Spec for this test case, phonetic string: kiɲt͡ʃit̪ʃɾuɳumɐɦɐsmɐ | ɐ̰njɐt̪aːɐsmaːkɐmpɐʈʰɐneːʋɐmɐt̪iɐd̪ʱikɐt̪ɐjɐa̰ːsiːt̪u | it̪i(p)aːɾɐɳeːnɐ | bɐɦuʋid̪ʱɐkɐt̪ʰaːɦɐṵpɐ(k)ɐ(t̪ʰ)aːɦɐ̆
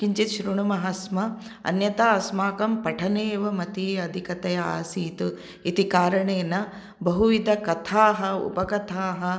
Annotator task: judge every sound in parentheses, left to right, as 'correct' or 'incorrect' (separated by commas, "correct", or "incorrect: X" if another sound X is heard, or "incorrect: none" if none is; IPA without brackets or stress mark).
incorrect: k, correct, correct